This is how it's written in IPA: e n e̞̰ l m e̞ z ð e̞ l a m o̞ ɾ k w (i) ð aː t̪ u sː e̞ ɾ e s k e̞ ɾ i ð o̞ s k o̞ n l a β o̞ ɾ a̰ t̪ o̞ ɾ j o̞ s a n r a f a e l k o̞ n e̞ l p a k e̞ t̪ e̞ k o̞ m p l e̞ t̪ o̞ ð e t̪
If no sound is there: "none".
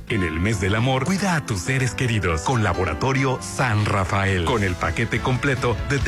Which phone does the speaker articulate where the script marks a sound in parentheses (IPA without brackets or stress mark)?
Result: i